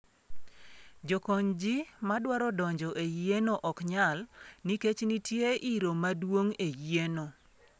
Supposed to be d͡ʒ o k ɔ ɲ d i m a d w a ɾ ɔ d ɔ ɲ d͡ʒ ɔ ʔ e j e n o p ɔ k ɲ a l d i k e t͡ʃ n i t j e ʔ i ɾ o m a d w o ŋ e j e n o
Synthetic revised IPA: d͡ʒ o k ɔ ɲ d͡ʒ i m a d w a ɾ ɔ d ɔ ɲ d͡ʒ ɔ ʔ e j e n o ʔ ɔ k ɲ a l n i k e t͡ʃ n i t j e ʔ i ɾ o m a d w o ŋ e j e n o